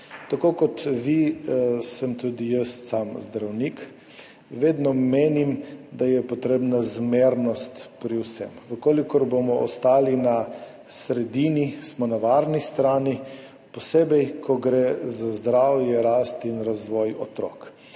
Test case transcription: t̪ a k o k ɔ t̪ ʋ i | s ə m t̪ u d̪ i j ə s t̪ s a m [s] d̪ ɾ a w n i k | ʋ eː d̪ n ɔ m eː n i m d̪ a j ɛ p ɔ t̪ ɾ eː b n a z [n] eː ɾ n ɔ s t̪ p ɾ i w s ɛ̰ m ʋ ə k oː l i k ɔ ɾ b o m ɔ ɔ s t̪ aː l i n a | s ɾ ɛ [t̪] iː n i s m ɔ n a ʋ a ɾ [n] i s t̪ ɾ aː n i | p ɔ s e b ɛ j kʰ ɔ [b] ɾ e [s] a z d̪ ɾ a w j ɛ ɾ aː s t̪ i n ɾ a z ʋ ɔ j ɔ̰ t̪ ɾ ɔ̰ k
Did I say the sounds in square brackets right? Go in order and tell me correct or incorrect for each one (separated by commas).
incorrect, incorrect, incorrect, correct, incorrect, incorrect